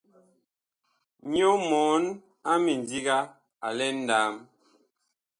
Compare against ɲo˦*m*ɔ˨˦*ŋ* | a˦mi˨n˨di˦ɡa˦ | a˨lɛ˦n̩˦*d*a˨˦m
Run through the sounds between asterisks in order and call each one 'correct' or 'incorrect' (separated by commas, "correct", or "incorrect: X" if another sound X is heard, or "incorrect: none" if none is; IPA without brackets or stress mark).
correct, incorrect: n, correct